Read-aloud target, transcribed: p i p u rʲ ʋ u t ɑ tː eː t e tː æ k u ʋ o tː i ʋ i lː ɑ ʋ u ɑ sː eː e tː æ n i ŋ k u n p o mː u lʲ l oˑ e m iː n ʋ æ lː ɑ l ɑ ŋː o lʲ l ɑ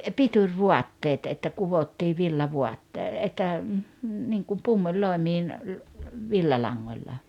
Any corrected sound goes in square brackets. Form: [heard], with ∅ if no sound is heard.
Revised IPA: p i [t] u rʲ ʋ u [∅] ɑ tː eː t e tː æ k u ʋ o tː [iː] ʋ i lː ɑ ʋ u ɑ [tː] eː e tː æ n i ŋ k u [m] p [u] mː u lʲ l oˑ e m iː n ʋ [i] lː ɑ l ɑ ŋː o lʲ l ɑ